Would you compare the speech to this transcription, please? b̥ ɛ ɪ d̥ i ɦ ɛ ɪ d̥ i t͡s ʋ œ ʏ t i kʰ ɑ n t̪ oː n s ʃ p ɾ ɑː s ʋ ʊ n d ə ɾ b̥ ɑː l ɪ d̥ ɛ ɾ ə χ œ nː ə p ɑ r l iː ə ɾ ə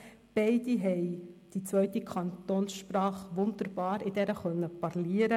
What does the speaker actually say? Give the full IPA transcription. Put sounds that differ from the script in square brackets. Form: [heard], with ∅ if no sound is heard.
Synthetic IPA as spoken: b̥ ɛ ɪ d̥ i ɦ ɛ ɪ d̥ i t͡s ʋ œ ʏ t i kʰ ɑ n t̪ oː n s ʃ p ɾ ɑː [χ] ʋ ʊ n d ə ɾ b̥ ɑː [ɾ] ɪ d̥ ɛ ɾ ə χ œ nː ə p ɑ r l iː ə ɾ ə